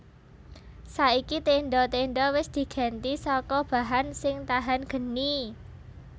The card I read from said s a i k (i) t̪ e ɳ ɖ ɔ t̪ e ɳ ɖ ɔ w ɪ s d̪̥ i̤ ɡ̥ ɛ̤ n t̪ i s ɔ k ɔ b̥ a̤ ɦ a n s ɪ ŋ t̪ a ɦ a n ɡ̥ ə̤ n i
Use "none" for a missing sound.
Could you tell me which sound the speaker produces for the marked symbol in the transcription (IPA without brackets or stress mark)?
i